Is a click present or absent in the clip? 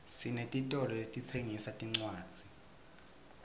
present